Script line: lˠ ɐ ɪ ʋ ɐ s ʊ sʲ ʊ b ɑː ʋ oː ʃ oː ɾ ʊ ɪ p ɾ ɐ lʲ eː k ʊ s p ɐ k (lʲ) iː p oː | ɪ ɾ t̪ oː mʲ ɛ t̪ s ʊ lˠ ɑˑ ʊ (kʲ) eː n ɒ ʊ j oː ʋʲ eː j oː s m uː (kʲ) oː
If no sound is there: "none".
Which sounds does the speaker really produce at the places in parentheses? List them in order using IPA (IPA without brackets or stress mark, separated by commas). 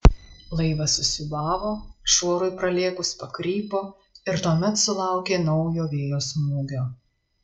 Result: ɾʲ, kʲ, ɡʲ